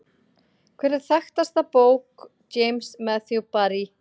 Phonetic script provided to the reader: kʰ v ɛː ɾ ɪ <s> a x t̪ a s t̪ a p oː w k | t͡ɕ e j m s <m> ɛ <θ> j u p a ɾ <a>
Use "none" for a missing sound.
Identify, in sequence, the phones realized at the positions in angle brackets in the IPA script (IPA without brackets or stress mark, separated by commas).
θ, m, θ, i